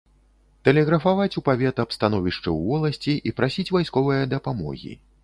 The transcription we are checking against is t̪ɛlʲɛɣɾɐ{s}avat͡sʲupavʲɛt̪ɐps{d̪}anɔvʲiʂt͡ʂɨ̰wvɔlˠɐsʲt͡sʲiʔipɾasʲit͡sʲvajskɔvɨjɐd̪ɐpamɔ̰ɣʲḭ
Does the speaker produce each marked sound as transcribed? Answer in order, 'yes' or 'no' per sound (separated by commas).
no, no